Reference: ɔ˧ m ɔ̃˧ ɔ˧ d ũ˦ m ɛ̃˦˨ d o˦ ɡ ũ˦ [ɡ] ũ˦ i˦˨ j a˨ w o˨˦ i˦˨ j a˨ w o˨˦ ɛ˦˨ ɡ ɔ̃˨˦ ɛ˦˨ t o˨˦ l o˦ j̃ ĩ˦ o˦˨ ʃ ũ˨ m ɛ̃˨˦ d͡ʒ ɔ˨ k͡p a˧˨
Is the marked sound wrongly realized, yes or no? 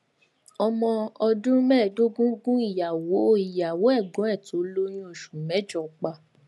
no